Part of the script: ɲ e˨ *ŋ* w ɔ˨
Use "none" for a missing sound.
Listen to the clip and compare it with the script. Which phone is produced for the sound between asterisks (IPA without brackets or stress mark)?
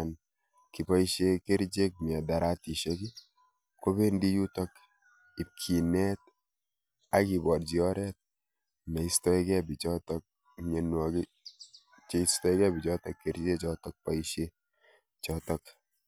n